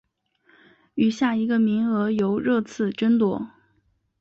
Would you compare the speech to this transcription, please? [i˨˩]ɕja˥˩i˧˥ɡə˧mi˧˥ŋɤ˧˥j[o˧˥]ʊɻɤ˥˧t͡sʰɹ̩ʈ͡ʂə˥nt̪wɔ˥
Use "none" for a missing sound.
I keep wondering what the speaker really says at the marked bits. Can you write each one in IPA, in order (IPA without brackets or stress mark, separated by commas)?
y˨˩, o˧˥